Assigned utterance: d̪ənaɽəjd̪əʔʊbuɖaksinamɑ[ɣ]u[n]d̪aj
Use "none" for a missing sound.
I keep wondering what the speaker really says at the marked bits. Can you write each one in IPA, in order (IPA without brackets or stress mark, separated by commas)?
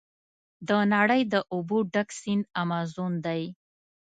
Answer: z, n